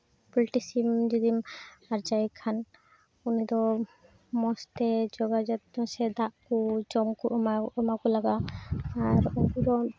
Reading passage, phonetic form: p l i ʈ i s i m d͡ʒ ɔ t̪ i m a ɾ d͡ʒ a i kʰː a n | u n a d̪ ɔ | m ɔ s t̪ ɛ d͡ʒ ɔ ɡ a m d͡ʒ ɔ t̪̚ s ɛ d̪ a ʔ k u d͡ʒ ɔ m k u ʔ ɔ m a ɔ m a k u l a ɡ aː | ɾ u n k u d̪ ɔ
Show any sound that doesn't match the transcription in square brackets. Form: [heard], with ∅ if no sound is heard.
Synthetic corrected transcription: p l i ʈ i s i m d͡ʒ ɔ [d̪] i m a ɾ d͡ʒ a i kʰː a n | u n [i] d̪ ɔ | m ɔ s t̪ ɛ d͡ʒ ɔ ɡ a [∅] d͡ʒ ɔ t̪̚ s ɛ d̪ a ʔ k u d͡ʒ ɔ m k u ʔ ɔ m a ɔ m a k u l a ɡ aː | ɾ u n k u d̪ ɔ